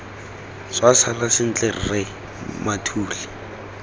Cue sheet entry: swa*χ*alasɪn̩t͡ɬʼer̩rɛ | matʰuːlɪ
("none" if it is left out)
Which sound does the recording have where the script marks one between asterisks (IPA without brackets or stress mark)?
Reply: s